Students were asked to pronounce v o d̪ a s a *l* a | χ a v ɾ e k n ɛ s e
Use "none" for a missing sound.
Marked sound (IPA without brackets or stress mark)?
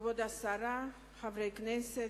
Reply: ɾ